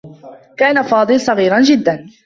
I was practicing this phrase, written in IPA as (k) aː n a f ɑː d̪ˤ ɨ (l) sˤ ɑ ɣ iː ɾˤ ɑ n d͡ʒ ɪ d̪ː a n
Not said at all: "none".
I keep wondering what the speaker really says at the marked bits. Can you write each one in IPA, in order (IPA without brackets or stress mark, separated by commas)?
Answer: k, l